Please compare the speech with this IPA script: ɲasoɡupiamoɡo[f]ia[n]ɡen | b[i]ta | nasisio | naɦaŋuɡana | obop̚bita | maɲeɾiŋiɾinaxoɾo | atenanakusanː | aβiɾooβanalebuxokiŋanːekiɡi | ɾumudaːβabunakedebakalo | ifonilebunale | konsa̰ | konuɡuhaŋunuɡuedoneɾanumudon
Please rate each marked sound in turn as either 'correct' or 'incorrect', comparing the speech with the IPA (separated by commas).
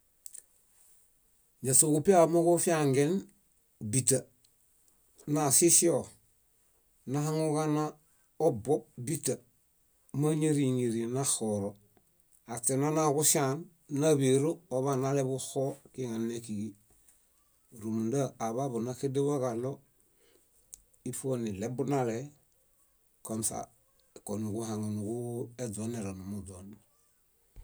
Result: correct, incorrect, correct